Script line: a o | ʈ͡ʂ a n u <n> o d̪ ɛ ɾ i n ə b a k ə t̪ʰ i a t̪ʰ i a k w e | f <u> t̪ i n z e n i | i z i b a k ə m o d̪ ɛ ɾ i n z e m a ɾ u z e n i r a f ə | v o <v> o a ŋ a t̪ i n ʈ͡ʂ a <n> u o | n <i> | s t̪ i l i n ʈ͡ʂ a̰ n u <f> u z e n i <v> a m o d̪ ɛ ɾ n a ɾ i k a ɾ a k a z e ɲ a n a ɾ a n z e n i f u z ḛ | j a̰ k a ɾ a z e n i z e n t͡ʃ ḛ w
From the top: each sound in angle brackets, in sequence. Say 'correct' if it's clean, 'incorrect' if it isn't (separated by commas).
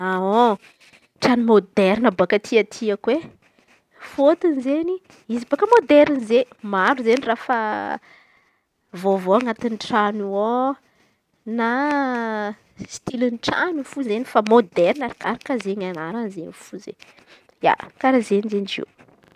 incorrect, incorrect, correct, correct, incorrect, correct, incorrect